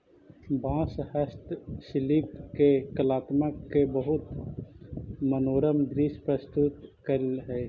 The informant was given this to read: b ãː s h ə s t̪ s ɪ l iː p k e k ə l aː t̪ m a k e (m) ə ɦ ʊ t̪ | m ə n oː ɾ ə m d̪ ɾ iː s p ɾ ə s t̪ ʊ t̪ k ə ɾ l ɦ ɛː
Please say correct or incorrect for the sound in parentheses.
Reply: incorrect